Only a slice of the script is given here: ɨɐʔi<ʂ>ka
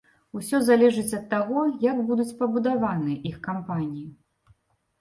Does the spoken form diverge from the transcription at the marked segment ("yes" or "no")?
yes